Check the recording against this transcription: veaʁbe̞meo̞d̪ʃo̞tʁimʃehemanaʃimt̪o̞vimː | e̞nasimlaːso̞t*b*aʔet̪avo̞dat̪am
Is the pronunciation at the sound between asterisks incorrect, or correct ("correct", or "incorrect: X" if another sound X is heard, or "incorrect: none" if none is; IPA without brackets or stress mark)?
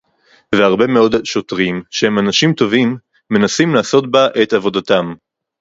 correct